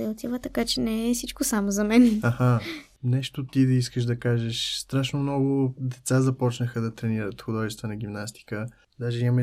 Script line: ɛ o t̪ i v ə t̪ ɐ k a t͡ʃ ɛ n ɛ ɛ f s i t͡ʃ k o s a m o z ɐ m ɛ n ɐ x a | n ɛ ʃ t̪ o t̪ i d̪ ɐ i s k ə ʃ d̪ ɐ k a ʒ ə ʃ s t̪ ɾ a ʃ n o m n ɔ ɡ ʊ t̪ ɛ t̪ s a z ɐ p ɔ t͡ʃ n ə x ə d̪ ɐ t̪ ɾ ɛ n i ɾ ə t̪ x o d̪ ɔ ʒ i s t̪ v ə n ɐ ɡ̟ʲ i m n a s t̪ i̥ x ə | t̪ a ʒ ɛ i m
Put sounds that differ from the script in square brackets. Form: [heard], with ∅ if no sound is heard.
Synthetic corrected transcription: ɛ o t̪ i v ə t̪ ɐ k a t͡ʃ ɛ n ɛ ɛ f s i t͡ʃ k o s a m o z ɐ m ɛ n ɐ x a | n ɛ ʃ t̪ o t̪ i d̪ ɐ i s k ə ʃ d̪ ɐ k a ʒ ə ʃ s t̪ ɾ a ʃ n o m n ɔ ɡ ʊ [d̪] ɛ t̪ s a z ɐ p ɔ t͡ʃ n ə x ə d̪ ɐ t̪ ɾ ɛ n i ɾ ə t̪ x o d̪ ɔ ʒ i s t̪ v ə n ɐ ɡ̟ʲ i m n a s t̪ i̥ [k] ə | [d̪] a ʒ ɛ i m